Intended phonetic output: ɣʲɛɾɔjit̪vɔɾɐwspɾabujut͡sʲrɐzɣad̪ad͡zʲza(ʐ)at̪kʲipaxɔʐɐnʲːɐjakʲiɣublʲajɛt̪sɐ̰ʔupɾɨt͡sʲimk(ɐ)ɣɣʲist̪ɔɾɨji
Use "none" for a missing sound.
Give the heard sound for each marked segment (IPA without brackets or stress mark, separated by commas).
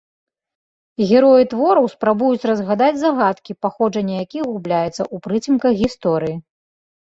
ɣ, ɐ